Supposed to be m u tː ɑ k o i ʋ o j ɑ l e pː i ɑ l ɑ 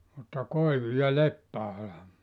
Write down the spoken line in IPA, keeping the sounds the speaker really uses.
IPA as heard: m u tː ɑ k o i ʋ u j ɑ l e pː æ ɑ l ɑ